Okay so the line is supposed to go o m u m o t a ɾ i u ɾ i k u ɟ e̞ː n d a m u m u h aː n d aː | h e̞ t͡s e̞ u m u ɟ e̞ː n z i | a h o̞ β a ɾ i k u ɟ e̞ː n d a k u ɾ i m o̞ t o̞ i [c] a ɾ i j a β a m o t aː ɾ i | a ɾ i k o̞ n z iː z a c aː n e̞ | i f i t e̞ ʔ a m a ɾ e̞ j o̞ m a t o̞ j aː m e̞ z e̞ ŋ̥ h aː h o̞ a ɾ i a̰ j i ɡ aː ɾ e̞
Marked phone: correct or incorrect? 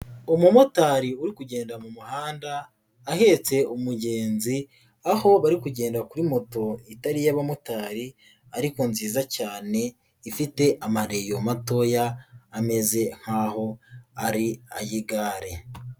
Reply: incorrect: t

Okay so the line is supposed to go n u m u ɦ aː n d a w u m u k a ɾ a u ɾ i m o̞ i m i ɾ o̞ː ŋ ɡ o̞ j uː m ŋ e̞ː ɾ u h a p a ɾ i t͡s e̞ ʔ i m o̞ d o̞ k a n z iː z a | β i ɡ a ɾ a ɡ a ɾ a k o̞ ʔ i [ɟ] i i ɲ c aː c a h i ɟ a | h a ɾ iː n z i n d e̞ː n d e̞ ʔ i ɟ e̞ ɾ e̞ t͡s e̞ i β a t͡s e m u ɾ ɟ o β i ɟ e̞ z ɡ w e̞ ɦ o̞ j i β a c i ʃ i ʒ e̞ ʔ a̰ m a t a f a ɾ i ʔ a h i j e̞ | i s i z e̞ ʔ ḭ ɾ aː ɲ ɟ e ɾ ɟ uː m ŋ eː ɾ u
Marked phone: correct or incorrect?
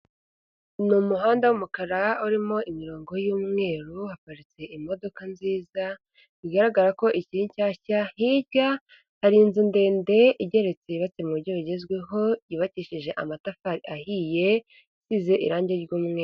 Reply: incorrect: c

